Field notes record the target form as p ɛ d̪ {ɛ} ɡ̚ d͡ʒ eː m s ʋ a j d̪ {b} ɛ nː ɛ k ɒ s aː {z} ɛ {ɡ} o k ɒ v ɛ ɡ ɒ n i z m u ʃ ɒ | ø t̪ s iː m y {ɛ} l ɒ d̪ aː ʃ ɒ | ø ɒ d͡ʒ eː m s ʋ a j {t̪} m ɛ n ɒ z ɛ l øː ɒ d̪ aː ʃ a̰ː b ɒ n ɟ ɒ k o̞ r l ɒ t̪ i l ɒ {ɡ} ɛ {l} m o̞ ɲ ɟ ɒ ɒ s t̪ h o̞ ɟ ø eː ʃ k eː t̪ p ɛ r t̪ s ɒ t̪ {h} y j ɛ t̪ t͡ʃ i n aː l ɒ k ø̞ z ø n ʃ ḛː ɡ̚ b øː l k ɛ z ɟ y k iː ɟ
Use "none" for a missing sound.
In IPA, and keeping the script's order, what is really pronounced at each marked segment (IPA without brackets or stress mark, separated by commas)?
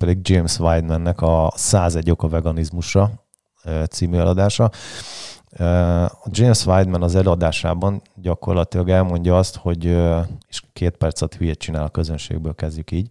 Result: i, m, z, ɟ, ɛ, d̪, ɡ, l, h